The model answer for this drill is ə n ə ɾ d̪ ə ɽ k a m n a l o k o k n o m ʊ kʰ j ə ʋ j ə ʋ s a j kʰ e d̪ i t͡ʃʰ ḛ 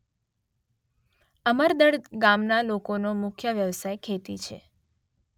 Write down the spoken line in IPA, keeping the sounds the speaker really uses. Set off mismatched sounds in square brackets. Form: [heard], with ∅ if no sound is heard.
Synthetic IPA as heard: ə [m] ə ɾ d̪ ə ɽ [ɡ] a m n a l o k o [∅] n o m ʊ kʰ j ə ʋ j ə ʋ s a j kʰ e [t̪] i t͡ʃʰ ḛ